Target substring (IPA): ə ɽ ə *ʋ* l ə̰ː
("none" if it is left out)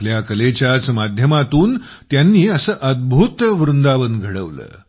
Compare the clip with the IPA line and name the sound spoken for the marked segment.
ʋ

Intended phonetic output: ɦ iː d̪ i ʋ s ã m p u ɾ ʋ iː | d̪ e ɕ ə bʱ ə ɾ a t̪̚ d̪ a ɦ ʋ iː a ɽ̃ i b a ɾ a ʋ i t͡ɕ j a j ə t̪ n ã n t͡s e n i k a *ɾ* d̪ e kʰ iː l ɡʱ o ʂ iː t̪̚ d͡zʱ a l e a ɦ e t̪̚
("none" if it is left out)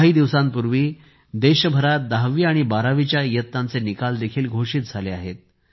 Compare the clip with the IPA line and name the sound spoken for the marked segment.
l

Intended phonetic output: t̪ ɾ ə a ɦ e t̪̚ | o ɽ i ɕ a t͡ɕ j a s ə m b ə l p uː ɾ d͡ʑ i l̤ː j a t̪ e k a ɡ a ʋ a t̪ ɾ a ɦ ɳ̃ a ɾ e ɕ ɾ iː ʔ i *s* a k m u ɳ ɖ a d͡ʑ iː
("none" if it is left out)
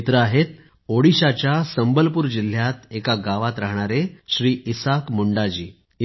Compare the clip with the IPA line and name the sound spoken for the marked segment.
s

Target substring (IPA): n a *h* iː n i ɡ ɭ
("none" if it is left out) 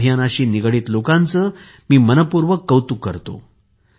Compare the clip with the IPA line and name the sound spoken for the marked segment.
ɕ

